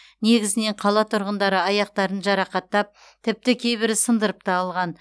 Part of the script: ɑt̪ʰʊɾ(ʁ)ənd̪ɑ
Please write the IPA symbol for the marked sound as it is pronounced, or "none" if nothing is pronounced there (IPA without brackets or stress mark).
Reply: ʁ